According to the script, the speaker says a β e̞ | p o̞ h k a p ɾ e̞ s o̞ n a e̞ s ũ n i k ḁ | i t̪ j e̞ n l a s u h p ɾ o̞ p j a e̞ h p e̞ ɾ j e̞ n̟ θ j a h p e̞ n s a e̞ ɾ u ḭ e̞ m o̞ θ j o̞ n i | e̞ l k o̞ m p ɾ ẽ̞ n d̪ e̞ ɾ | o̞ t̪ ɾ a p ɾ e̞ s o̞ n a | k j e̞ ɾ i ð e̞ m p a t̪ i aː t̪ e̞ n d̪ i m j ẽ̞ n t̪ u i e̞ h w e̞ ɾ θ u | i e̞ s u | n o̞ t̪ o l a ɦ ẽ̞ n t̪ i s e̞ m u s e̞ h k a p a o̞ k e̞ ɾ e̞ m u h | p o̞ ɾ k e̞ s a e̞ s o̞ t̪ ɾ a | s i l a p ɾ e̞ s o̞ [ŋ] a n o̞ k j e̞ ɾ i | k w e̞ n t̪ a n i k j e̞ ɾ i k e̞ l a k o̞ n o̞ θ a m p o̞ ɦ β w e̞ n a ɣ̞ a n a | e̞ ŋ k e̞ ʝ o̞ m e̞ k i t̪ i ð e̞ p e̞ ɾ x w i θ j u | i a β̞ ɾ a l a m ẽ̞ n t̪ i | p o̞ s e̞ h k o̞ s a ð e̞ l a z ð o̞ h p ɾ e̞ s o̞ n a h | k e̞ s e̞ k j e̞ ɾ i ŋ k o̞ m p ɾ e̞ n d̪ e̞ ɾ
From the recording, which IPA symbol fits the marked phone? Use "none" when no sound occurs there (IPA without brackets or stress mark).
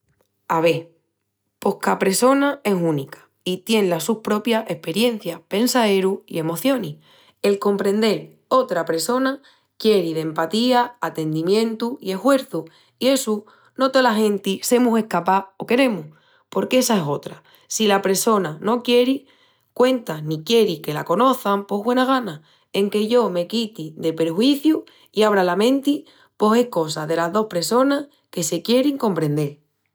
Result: n